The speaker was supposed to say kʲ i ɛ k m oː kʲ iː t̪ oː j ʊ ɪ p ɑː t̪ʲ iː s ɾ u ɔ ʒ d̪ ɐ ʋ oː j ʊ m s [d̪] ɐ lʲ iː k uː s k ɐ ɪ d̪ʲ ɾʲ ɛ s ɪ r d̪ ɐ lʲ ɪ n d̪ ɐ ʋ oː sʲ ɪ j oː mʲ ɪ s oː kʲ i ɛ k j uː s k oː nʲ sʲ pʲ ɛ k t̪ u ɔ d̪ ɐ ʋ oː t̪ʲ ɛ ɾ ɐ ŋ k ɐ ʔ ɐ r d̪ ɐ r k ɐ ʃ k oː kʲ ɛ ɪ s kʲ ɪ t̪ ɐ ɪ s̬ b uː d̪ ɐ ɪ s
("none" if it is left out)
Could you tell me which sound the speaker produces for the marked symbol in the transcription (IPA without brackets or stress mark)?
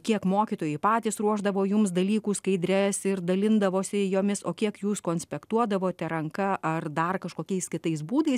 d̪